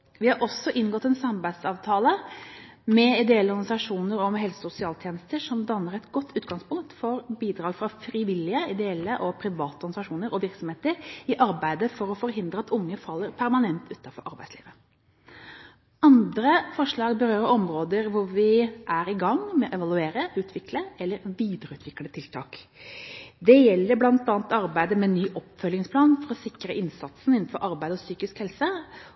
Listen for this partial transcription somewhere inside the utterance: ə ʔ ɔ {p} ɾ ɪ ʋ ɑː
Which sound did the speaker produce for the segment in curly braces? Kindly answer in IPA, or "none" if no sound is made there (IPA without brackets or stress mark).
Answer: pʰ